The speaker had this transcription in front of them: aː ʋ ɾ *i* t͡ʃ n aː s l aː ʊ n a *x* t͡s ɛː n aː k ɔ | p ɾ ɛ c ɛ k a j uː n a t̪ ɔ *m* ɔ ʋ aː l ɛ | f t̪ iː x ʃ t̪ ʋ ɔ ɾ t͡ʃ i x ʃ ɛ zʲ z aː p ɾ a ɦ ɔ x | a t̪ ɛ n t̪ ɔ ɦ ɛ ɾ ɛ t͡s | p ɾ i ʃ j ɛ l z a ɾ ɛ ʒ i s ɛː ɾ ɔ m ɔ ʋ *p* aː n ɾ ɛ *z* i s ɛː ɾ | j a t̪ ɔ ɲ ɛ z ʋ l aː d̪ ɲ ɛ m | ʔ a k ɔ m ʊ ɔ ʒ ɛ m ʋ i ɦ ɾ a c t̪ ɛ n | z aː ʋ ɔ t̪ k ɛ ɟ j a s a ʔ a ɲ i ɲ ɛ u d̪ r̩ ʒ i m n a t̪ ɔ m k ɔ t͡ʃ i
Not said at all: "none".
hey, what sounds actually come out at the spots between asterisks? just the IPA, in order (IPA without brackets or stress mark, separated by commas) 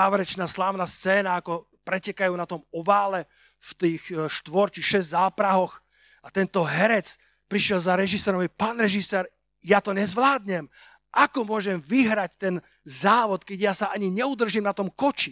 ɛ, s, m, p, ʒ